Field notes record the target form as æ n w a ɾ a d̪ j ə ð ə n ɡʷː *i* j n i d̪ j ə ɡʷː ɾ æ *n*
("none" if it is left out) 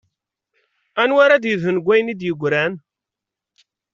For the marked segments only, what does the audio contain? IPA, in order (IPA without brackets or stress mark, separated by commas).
æ, n